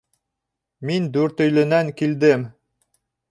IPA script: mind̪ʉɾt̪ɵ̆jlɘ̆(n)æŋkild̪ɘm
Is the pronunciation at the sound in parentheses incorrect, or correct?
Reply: correct